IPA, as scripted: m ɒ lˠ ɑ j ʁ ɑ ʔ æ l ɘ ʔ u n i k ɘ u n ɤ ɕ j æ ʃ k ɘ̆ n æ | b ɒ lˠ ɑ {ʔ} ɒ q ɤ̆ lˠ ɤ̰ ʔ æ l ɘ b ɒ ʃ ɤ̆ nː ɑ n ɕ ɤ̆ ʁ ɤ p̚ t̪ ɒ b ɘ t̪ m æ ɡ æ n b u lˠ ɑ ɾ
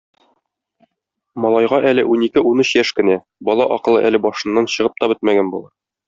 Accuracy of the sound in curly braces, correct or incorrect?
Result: correct